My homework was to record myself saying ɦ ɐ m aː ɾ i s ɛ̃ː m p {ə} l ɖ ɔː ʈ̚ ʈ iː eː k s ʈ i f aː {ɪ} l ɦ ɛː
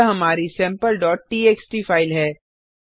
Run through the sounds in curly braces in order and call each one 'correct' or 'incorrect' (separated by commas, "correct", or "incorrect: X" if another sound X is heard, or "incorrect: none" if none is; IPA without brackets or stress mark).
correct, correct